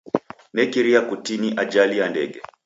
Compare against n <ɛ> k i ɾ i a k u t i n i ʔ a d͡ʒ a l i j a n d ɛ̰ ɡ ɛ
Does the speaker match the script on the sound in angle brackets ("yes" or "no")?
yes